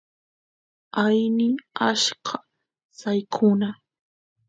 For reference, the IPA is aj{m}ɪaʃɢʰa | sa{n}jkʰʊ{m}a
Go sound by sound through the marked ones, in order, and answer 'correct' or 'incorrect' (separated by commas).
incorrect, incorrect, incorrect